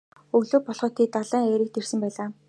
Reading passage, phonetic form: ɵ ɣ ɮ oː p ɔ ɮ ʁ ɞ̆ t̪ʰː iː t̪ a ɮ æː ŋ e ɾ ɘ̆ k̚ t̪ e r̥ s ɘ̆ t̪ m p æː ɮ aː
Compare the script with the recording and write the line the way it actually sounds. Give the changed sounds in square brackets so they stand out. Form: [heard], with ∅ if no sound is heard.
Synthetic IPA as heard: ɵ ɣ ɮ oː p ɔ ɮ [χ] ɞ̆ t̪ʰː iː t̪ a ɮ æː ŋ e ɾ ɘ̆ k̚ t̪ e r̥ s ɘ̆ [∅] m p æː ɮ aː